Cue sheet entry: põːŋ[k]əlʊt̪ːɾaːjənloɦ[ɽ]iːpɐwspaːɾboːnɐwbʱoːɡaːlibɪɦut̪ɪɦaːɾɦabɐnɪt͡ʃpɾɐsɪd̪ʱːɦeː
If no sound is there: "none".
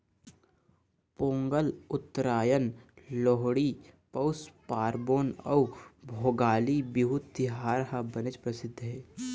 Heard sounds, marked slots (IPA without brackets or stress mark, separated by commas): ɡ, ɽ